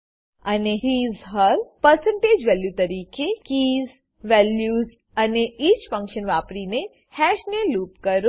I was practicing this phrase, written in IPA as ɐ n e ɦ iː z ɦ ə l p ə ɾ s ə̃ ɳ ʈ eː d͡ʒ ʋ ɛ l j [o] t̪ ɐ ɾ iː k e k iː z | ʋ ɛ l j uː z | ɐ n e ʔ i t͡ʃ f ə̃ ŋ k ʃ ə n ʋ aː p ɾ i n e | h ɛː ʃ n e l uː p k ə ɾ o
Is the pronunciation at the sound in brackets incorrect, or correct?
incorrect